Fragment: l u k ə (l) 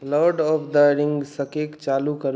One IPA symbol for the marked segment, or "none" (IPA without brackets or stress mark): ɾ